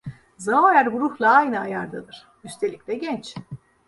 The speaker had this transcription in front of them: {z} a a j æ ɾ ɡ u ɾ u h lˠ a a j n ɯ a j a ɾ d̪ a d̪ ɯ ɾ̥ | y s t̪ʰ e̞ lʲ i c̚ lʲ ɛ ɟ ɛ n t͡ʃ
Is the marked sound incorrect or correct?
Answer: correct